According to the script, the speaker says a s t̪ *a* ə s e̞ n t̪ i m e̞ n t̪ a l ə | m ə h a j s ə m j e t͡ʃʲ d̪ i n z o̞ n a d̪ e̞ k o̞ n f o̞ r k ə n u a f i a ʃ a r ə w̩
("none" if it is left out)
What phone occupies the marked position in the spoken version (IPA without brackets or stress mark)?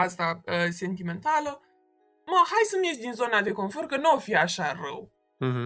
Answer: a